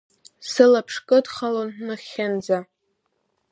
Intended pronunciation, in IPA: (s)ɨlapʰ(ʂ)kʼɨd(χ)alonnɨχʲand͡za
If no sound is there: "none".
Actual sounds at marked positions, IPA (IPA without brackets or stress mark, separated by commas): s, ʂ, χ